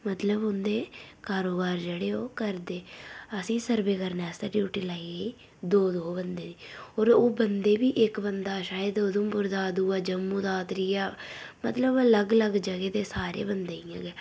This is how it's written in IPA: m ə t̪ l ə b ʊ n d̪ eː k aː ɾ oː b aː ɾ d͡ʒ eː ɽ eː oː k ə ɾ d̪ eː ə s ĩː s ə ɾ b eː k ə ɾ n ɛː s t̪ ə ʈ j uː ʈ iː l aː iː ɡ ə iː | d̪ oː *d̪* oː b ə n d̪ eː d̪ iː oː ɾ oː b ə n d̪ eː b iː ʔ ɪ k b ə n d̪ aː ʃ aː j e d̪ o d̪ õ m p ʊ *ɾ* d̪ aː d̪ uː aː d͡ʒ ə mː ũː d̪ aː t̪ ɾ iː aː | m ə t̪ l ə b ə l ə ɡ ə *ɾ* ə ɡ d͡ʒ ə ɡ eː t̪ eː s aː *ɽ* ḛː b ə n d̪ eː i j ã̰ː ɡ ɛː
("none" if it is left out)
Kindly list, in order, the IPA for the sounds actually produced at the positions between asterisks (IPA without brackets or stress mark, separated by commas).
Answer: d̪, ɾ, l, ɾ